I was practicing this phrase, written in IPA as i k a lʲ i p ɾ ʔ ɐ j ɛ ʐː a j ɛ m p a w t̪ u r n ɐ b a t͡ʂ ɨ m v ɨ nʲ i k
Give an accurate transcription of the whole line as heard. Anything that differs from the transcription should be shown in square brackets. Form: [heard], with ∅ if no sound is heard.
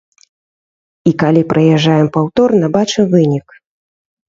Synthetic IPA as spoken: i k a lʲ i p ɾ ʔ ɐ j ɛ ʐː a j ɛ m p a w t̪ [ɔ] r n ɐ b a t͡ʂ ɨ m v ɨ nʲ i k